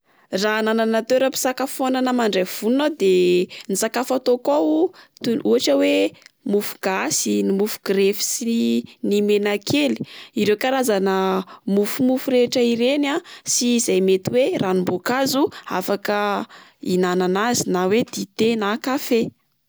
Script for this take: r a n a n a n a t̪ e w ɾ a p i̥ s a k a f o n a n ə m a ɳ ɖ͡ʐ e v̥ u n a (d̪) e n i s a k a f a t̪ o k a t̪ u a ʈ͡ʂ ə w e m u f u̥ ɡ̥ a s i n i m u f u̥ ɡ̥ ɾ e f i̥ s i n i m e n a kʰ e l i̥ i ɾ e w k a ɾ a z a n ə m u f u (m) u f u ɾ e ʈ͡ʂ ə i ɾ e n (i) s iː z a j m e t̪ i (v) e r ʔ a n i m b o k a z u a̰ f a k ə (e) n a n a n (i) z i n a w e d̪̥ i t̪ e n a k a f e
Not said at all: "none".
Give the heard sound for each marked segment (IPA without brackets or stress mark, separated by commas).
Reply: d̪, m, a, w, i, a